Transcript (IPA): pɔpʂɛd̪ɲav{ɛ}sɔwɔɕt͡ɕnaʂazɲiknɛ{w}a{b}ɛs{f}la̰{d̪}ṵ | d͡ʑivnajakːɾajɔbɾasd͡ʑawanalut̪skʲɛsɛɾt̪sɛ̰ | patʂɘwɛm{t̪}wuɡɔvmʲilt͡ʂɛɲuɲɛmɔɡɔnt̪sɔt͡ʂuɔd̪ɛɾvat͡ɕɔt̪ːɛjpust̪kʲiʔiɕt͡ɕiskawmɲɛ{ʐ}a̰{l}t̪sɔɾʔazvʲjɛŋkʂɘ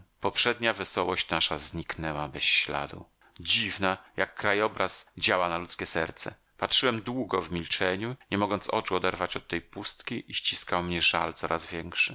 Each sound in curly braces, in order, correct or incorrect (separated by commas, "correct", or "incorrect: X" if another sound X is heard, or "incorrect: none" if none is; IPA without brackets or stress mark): correct, correct, correct, incorrect: ɕ, correct, incorrect: d̪, correct, correct